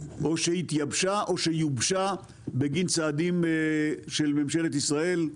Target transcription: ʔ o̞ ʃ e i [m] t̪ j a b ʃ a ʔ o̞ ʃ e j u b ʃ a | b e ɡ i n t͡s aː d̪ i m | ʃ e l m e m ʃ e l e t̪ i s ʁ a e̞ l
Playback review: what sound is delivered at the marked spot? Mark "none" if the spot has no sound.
none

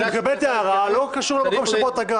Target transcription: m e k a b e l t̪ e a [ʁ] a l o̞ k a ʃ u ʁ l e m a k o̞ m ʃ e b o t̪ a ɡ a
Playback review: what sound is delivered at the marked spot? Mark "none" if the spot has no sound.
ʁ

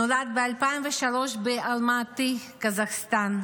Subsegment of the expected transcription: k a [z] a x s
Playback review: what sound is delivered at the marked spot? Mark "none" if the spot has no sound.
z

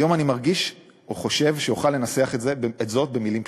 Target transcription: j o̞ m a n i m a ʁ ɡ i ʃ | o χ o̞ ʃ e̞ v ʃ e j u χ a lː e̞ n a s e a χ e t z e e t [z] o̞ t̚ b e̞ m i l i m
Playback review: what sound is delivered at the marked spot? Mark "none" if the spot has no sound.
z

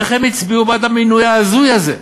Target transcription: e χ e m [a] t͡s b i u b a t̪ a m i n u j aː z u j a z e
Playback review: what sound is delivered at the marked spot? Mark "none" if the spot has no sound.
i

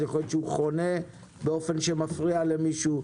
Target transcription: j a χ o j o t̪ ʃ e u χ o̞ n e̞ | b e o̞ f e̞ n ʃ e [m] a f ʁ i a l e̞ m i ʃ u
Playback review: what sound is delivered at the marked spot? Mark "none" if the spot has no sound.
m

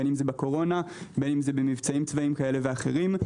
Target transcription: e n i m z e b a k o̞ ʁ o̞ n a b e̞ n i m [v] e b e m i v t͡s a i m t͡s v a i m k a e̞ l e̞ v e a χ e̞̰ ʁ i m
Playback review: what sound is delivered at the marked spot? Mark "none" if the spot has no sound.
z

